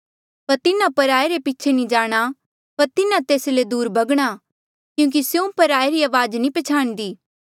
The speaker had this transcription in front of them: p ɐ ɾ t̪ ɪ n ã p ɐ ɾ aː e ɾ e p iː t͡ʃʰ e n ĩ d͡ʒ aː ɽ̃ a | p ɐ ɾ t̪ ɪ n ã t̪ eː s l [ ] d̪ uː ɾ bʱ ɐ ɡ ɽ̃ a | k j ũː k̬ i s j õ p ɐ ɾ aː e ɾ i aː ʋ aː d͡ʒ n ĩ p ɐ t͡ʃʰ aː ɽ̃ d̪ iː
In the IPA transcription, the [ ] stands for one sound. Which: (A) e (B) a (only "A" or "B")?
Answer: A